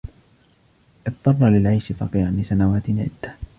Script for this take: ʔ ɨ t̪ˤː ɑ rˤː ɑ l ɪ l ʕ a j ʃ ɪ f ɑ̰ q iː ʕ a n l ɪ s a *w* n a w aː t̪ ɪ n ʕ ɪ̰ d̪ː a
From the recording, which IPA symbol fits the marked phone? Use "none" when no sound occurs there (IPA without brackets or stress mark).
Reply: none